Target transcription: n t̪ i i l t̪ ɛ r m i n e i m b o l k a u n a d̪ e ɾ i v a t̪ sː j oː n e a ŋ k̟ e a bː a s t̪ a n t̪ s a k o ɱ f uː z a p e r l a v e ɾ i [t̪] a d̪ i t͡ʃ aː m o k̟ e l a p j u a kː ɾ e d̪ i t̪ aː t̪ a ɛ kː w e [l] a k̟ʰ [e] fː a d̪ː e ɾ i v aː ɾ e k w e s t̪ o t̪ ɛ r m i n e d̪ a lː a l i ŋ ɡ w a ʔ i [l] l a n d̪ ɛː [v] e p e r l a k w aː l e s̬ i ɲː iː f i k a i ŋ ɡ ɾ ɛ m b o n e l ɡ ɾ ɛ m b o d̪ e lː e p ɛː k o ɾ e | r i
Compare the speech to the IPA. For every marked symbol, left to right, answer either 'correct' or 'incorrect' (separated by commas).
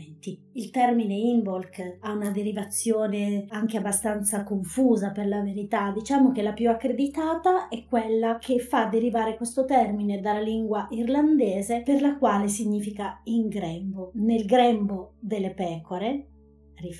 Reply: correct, incorrect, correct, incorrect, incorrect